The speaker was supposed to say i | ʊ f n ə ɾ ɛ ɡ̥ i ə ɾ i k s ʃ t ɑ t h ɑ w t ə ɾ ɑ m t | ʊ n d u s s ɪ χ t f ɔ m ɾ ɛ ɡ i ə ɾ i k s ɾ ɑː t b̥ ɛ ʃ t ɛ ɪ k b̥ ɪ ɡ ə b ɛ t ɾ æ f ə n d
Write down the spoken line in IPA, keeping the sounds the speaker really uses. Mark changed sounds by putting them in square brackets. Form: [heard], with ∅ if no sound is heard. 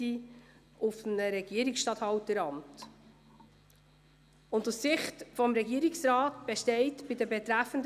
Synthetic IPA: i | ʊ f n ə ɾ ɛ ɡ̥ i ə ɾ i k s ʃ t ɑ t h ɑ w t ə ɾ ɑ m t | ʊ n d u s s ɪ χ t f ɔ m ɾ ɛ ɡ i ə ɾ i k s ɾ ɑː t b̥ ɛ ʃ t ɛ ɪ [t] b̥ ɪ [d] ə b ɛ t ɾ æ f ə n d